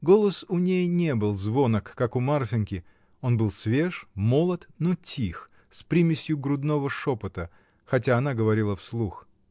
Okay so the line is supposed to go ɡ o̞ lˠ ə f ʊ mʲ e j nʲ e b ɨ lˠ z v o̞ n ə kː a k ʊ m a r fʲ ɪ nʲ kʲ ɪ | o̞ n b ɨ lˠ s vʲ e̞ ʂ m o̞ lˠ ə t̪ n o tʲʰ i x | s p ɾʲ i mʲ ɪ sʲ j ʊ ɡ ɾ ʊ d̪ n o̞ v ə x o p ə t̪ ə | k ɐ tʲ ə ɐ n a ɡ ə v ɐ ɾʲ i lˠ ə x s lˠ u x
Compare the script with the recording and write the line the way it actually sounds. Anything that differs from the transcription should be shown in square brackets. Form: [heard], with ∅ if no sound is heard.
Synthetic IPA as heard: ɡ o̞ lˠ ə [s] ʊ [nʲ] e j nʲ e b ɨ lˠ z v o̞ n ə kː a k ʊ m a r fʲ ɪ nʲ kʲ ɪ | o̞ n b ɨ lˠ s vʲ e̞ ʂ m o̞ lˠ ə t̪ n o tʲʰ i x | s p ɾʲ i mʲ ɪ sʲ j ʊ ɡ ɾ ʊ d̪ n o̞ v ə [ʂ] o p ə t̪ ə | [x] ɐ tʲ [a] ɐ n a ɡ ə v ɐ ɾʲ i lˠ ə [f] s lˠ u x